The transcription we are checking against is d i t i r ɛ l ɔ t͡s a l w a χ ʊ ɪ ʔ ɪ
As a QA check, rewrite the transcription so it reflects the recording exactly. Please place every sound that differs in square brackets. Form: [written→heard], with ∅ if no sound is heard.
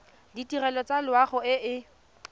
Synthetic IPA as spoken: d i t i r ɛ l ɔ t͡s a l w a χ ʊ ɪ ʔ ɪ

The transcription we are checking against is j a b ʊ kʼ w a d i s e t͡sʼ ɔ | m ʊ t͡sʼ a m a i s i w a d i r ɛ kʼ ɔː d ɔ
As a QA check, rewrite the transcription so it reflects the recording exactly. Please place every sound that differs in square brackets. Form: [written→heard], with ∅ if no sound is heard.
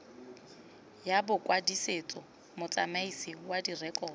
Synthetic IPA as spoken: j a b ʊ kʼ w a d i s e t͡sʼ ɔ | m ʊ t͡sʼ a m a i s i w a d i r ɛ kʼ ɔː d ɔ

